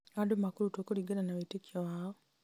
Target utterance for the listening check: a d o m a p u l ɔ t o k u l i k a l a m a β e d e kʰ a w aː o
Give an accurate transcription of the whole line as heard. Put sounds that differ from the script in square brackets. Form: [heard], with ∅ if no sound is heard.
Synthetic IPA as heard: a d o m a [k] u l [u] t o k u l i [ɡ] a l a [n] a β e [t] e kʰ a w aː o